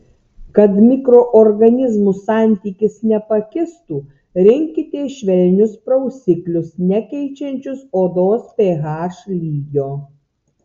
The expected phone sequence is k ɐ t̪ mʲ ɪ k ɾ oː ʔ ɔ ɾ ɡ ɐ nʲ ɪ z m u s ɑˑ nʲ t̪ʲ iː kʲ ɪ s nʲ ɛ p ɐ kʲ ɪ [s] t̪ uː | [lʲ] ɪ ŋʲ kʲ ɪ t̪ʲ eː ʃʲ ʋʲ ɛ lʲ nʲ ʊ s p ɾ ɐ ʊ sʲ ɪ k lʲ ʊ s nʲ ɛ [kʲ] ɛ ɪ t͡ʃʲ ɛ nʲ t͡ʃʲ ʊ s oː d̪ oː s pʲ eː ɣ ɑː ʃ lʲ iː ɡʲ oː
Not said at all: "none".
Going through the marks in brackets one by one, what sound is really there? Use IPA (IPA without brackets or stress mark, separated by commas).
s, ɾʲ, kʲ